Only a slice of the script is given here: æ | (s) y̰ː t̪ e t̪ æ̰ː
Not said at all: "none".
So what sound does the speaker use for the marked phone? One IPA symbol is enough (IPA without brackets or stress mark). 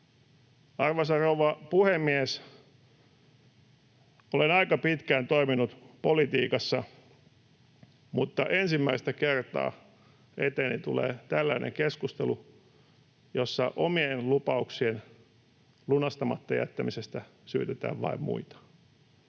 s